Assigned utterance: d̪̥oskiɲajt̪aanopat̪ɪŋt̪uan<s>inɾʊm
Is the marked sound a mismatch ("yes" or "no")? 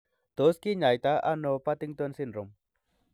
no